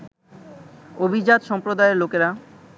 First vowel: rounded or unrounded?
rounded